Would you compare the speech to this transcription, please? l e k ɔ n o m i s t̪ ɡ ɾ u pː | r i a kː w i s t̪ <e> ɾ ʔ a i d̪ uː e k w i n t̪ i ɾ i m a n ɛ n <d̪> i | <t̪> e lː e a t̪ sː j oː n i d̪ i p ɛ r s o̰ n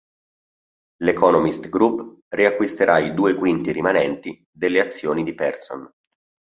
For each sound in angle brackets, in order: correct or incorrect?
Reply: correct, incorrect: t̪, incorrect: d̪

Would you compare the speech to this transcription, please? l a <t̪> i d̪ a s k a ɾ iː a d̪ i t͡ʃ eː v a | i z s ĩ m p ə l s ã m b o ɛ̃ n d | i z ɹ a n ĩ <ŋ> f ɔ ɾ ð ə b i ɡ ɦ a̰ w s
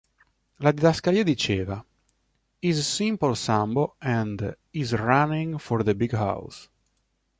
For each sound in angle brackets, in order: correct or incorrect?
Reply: incorrect: d̪, correct

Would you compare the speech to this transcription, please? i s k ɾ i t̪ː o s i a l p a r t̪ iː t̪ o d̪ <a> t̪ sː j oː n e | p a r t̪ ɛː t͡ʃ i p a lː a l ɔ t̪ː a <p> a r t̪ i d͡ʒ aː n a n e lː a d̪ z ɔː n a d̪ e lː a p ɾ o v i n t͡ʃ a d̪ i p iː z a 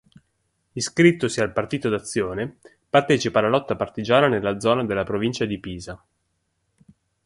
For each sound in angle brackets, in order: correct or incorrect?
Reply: correct, correct

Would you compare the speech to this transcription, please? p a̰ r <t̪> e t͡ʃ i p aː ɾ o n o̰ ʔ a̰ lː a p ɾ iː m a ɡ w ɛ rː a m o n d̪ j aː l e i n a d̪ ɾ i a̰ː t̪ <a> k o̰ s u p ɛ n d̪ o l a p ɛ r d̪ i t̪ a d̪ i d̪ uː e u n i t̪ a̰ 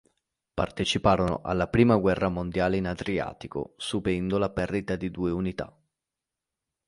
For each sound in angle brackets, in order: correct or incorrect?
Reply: correct, incorrect: i

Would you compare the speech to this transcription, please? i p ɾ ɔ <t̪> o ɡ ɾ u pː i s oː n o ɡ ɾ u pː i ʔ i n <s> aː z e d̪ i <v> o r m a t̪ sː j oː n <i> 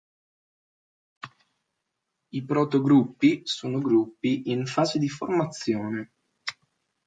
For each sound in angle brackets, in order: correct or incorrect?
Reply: correct, incorrect: f, incorrect: f, incorrect: e

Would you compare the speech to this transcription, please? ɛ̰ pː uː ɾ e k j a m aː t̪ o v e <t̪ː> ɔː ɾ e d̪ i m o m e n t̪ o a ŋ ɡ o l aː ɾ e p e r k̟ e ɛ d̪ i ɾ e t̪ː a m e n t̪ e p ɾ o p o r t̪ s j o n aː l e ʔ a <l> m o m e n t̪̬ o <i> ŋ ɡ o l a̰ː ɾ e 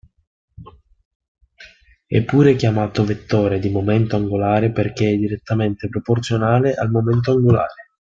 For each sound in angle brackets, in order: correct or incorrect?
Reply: correct, correct, incorrect: a

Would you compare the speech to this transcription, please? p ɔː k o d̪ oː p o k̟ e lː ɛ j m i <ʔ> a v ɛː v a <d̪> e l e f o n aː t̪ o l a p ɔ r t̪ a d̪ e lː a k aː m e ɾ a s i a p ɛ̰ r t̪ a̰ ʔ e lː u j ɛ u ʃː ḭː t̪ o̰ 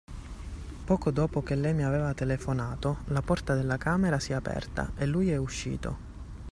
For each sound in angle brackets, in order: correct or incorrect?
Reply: incorrect: none, incorrect: t̪

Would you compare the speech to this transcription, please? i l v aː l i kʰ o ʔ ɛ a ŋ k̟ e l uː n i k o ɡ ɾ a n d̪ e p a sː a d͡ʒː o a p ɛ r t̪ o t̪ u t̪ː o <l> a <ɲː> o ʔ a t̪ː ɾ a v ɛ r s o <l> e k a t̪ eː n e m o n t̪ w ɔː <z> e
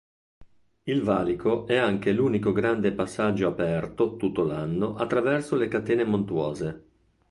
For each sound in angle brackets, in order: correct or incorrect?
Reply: correct, incorrect: nː, correct, correct

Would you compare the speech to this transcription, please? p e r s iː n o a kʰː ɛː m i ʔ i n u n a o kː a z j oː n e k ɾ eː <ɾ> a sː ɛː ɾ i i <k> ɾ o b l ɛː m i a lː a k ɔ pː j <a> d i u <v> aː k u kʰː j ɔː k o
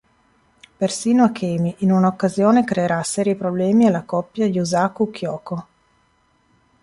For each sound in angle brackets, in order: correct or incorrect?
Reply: correct, incorrect: p, correct, incorrect: z

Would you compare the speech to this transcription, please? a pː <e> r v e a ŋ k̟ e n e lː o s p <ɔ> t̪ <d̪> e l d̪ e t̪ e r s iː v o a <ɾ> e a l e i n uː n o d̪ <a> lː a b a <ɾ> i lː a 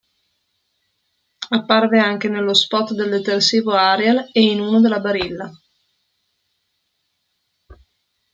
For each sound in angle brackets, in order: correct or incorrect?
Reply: incorrect: a, correct, correct, correct, incorrect: e, correct

